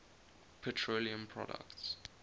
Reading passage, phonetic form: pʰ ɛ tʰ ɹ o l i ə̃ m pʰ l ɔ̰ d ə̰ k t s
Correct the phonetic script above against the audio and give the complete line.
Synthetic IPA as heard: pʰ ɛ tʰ ɹ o l i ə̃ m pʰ ɹ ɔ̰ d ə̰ k t s